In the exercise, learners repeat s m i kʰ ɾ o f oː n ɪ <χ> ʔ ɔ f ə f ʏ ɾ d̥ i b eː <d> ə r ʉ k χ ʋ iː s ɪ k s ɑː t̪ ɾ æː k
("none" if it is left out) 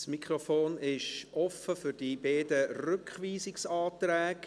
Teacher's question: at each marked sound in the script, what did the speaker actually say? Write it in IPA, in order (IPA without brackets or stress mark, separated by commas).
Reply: ʃ, d